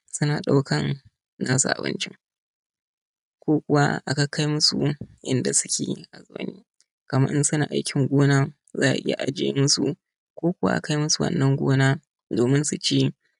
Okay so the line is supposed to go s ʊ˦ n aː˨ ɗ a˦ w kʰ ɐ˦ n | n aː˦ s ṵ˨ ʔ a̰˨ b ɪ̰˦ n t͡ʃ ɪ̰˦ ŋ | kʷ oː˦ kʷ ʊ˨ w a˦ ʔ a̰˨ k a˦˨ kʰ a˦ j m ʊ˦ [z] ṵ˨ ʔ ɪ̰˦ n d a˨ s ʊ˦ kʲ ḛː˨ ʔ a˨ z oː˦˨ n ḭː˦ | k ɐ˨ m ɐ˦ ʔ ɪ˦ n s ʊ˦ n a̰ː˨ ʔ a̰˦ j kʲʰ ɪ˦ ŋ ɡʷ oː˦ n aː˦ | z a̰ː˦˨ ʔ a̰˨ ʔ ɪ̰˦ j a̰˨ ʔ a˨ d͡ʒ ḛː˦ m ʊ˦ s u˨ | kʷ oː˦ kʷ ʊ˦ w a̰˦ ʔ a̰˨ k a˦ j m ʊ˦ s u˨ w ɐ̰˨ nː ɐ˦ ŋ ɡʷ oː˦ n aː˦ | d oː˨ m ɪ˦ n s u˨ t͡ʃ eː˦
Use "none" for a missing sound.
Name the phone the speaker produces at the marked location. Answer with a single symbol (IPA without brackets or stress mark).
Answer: s